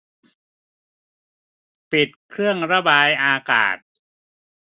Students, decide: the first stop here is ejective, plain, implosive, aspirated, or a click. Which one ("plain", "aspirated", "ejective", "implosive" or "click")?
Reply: plain